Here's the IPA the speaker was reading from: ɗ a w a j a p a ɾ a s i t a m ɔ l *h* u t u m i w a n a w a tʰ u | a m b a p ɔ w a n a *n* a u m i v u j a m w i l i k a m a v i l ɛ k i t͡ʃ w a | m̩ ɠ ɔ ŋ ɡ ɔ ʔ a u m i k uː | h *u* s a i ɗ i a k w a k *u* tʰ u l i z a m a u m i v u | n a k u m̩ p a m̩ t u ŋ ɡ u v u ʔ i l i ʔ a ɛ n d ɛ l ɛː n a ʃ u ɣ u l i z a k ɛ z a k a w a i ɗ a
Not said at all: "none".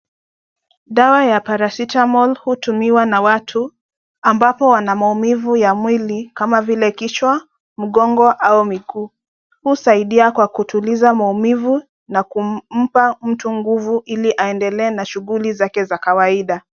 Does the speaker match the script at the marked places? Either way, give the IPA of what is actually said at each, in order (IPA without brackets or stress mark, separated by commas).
h, m, u, u